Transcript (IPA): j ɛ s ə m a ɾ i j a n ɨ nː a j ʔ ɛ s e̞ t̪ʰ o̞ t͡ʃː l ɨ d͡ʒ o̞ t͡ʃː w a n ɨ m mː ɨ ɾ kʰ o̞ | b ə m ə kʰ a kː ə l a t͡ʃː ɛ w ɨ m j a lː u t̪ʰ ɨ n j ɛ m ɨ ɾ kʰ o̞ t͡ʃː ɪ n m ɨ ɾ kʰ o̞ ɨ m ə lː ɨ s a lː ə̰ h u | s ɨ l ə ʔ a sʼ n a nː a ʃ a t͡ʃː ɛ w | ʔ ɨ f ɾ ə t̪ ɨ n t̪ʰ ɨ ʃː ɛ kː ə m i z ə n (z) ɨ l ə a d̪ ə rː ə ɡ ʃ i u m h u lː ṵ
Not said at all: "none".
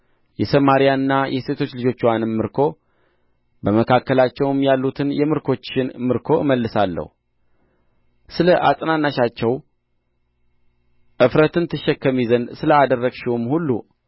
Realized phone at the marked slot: s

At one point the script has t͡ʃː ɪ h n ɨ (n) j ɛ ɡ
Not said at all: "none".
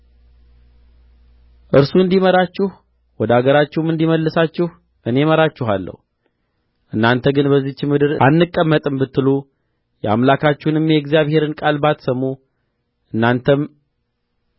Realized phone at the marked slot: m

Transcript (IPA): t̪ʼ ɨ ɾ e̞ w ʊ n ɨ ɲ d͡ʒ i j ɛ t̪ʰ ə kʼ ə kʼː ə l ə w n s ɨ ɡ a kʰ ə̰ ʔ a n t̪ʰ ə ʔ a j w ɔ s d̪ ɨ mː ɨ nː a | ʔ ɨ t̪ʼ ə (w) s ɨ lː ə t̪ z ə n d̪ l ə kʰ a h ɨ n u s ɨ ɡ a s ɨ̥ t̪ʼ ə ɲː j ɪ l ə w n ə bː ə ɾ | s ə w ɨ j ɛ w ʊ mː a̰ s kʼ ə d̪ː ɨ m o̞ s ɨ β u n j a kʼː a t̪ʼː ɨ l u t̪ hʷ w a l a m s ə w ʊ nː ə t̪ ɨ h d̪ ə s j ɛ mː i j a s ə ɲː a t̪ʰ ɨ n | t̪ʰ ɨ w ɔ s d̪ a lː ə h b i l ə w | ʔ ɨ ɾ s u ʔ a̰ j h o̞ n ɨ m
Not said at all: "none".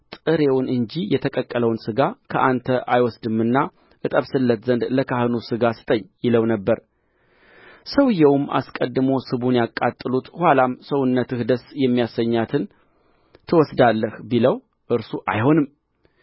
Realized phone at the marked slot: β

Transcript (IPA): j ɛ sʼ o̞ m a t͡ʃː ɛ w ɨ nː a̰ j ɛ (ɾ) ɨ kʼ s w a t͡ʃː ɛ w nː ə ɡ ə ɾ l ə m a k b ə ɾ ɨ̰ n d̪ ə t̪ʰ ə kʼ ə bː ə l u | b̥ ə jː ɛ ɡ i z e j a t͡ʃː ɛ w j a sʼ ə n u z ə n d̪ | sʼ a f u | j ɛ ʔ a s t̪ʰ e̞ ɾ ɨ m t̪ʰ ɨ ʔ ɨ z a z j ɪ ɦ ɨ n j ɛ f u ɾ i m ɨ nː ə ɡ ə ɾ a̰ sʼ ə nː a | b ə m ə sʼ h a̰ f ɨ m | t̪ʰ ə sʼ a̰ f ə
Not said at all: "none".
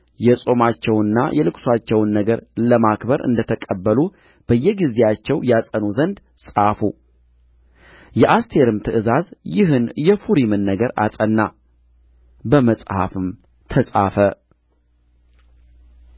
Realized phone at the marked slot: l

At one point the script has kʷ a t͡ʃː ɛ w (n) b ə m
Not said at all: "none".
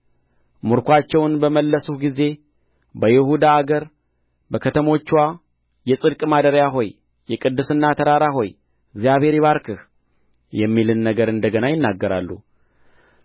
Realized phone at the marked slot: n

